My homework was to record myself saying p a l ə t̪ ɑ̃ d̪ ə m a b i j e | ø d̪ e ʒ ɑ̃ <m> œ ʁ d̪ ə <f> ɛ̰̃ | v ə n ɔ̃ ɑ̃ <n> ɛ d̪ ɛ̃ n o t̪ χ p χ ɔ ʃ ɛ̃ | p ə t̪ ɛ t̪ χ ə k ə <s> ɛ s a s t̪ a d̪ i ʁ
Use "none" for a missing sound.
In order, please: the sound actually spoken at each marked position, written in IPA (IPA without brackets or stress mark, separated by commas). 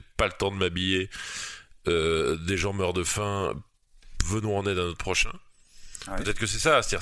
m, f, n, s